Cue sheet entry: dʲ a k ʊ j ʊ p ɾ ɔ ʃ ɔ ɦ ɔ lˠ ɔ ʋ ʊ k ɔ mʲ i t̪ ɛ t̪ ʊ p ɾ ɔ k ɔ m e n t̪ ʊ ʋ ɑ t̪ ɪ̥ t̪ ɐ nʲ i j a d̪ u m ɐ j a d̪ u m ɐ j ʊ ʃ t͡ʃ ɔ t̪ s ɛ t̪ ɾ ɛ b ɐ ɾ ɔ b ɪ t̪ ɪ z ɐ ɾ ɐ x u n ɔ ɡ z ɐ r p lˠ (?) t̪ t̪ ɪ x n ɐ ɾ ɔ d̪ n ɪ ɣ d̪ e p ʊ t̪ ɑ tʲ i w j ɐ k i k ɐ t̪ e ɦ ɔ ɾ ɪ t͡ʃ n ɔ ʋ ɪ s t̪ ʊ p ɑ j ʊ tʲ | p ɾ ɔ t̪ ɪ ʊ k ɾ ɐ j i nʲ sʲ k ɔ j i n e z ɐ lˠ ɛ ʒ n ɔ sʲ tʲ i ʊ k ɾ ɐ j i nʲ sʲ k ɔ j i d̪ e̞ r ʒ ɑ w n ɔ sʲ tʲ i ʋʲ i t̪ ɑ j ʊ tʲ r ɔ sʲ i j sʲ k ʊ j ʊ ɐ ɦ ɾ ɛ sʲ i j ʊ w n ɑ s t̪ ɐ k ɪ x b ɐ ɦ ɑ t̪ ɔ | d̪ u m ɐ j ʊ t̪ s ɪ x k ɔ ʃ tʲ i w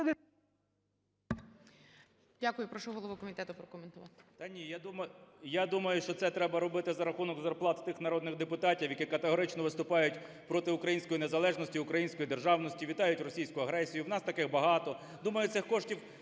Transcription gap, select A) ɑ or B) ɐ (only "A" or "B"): A